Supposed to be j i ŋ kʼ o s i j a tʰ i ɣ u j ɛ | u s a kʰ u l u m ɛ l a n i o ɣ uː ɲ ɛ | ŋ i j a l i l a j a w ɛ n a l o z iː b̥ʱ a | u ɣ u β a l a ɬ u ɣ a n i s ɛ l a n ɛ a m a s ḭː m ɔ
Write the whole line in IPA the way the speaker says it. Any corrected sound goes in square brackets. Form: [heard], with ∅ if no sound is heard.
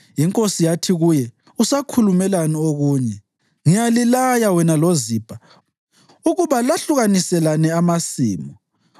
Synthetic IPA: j i ŋ kʼ o s i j a tʰ i ɣ u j ɛ | u s a kʰ u l u m ɛ l a n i o ɣ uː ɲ ɛ | ŋ i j a l i l a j a w ɛ n a l o z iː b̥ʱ a | u ɣ u β a l a ɬ u ɣ a n i s ɛ l a n ɛ a m a s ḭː m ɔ